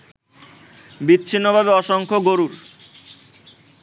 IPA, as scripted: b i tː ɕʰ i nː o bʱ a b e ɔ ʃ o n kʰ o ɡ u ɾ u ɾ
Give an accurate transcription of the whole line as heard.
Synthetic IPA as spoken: b i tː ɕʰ i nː o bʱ a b e ɔ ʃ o ŋ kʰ o ɡ o ɾ u ɾ